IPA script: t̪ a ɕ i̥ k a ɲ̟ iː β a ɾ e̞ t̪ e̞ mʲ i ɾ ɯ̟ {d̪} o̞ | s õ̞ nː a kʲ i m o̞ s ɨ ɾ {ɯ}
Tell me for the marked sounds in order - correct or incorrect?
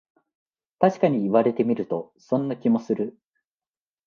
incorrect: t̪, correct

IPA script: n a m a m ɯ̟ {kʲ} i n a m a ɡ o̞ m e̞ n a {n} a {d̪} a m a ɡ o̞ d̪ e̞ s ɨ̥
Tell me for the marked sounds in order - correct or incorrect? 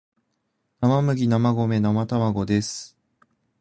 incorrect: ɡʲ, incorrect: m, incorrect: t̪

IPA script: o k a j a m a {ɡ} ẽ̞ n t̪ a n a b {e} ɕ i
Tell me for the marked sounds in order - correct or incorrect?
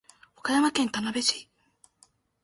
incorrect: k, correct

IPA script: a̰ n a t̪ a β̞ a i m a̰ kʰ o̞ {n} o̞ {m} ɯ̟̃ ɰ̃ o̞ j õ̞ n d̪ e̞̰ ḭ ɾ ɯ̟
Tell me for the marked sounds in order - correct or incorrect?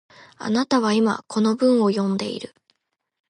correct, incorrect: b

